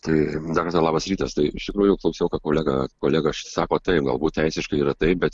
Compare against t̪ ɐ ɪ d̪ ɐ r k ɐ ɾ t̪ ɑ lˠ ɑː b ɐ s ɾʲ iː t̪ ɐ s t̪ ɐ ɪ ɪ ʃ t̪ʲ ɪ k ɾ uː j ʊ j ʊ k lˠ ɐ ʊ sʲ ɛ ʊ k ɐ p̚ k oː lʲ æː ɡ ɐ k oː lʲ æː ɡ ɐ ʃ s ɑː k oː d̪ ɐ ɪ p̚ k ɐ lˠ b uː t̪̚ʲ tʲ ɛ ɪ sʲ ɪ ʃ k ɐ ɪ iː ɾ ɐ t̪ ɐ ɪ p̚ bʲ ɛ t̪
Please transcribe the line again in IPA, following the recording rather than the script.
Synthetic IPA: t̪ ɐ ɪ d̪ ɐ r k ɐ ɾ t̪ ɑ lˠ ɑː b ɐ s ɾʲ iː t̪ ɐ s t̪ ɐ ɪ ɪ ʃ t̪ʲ ɪ k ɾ uː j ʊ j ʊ k lˠ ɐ ʊ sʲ ɛ ʊ k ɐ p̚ k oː lʲ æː ɡ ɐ k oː lʲ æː ɡ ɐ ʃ s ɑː k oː t̪ ɐ ɪ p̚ ɡ ɐ lˠ b uː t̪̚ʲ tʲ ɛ ɪ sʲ ɪ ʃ k ɐ ɪ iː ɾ ɐ t̪ ɐ ɪ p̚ bʲ ɛ t̪

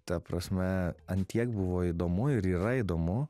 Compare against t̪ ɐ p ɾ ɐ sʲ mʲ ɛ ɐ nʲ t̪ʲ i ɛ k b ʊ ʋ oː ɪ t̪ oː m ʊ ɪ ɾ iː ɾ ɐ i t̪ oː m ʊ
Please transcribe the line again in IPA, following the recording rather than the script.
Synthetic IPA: t̪ ɐ p ɾ ɐ sʲ mʲ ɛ ɐ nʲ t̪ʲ i ɛ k b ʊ ʋ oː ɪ d̪ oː m ʊ ɪ ɾ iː ɾ ɐ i d̪ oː m ʊ

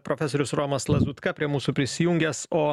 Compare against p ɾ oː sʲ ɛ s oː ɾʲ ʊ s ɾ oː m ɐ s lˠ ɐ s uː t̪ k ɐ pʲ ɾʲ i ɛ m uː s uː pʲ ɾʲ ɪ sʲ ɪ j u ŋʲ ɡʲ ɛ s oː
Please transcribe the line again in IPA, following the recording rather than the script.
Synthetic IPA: p ɾ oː fʲ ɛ s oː ɾʲ ʊ s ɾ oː m ɐ s lˠ ɐ z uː t̪ k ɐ pʲ ɾʲ i ɛ m uː s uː pʲ ɾʲ ɪ sʲ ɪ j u ŋʲ ɡʲ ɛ s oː

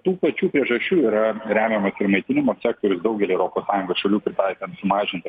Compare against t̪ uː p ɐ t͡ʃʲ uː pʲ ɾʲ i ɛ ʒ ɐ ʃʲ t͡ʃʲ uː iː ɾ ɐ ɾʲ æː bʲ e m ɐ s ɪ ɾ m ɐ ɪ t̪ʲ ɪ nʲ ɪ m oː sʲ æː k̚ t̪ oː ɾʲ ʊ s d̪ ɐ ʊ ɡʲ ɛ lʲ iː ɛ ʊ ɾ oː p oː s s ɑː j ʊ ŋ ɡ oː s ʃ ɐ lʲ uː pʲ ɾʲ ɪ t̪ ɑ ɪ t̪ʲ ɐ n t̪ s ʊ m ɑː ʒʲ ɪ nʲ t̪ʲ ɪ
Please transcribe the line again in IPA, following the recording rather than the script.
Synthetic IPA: t̪ uː p ɐ t͡ʃʲ uː pʲ ɾʲ i ɛ ʒ ɐ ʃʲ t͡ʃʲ uː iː ɾ ɐ ɾʲ æː mʲ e m ɐ s ɪ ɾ m ɐ ɪ t̪ʲ ɪ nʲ ɪ m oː sʲ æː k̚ t̪ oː ɾʲ ʊ s d̪ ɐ ʊ ɡʲ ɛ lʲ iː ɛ ʊ ɾ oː p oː s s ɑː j ʊ ŋ ɡ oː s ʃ ɐ lʲ uː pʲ ɾʲ ɪ t̪ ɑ ɪ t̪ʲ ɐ n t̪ s ʊ m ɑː ʒʲ ɪ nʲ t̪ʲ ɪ

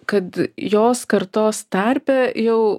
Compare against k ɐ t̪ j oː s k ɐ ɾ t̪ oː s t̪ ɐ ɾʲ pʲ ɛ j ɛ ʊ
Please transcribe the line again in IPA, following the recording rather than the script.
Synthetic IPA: k ɐ t̪ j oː s k ɐ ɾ t̪ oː s t̪ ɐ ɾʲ pʲ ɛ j ɛ ʊ

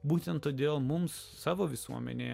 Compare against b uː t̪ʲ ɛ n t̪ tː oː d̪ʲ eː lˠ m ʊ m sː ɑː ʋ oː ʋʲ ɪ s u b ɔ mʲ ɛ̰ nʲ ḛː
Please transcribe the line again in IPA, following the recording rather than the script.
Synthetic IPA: b uː t̪ʲ ɛ n t̪ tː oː d̪ʲ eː lˠ m ʊ m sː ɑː ʋ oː ʋʲ ɪ s u ɔ mʲ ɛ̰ nʲ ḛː

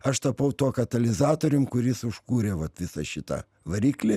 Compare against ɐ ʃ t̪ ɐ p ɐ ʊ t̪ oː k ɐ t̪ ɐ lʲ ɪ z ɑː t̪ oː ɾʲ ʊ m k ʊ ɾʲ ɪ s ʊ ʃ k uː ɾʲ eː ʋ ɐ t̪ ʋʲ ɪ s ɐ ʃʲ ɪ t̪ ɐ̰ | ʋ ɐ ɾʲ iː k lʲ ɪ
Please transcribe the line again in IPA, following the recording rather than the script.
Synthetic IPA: ɐ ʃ t̪ ɐ p ɐ ʊ t̪ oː k ɐ t̪ ɐ lʲ ɪ z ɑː t̪ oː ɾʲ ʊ m k ʊ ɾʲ ɪ s ʊ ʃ k uː ɾʲ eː ʋ ɐ t̪ ʋʲ ɪ s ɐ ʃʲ ɪ t̪ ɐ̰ | ʋ ɐ ɾʲ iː k lʲ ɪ

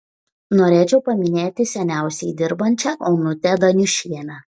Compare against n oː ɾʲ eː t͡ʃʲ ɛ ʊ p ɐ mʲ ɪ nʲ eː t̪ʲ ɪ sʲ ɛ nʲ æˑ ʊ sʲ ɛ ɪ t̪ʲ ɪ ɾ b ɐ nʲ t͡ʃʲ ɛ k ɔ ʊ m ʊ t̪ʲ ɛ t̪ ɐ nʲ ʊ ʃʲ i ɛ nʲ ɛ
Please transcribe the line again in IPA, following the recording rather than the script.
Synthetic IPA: n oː ɾʲ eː t͡ʃʲ ɛ ʊ p ɐ mʲ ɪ nʲ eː t̪ʲ ɪ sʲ ɛ nʲ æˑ ʊ sʲ ɛ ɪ d̪ʲ ɪ ɾ b ɐ nʲ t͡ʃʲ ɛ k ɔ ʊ n ʊ t̪ʲ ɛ d̪ ɐ nʲ ʊ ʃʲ i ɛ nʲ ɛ

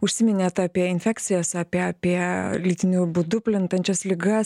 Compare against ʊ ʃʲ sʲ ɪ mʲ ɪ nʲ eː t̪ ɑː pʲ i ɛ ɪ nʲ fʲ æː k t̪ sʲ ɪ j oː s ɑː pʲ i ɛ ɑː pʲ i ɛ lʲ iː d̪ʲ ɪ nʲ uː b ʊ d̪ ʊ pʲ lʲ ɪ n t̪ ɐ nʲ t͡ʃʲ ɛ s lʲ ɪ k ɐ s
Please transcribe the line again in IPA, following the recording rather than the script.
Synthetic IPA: ʊ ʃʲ sʲ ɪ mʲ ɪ nʲ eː t̪ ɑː pʲ i ɛ ɪ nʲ fʲ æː k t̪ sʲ ɪ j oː s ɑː pʲ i ɛ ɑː pʲ i ɛ lʲ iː t̪ʲ ɪ nʲ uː b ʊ d̪ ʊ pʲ lʲ ɪ n t̪ ɐ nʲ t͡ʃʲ ɛ s lʲ ɪ ɡ ɐ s

